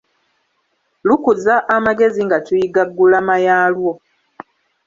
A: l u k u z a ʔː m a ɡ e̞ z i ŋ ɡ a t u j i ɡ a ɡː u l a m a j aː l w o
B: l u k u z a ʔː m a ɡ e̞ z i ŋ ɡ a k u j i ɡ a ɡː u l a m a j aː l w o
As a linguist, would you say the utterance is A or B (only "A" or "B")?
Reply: A